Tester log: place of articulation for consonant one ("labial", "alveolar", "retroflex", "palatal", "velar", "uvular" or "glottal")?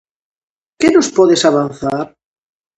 velar